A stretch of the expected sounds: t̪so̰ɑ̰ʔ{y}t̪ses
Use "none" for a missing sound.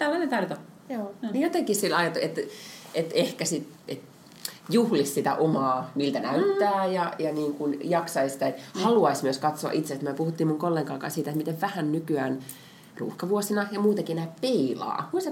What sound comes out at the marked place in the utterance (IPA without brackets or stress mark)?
i